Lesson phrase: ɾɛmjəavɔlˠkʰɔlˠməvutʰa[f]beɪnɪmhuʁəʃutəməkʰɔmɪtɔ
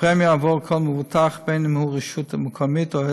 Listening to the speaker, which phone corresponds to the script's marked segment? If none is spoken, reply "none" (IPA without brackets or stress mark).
χ